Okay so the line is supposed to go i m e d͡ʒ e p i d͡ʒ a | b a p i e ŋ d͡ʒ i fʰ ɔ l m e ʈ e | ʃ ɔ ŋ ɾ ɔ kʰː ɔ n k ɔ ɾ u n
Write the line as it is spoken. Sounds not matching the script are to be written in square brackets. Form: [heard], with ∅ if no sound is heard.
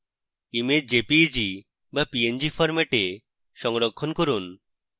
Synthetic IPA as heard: i m e d͡ʒ e p i d͡ʒ [i] | b a p i e [n] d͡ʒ i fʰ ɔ [ɾ] m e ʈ e | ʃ ɔ ŋ ɾ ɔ kʰː ɔ n k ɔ ɾ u n